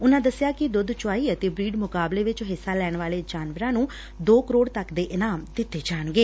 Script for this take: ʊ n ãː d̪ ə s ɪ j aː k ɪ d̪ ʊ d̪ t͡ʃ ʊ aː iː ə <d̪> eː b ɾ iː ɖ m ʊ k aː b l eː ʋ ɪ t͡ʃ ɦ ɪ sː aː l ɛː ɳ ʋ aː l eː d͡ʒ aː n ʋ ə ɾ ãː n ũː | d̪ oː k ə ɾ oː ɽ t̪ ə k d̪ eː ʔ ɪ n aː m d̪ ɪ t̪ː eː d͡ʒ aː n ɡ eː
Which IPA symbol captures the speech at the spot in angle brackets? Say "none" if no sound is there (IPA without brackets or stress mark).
t̪